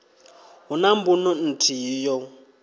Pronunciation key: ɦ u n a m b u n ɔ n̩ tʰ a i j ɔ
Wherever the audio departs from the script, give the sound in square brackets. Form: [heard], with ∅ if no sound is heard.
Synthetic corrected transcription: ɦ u n a m b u n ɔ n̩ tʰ [i] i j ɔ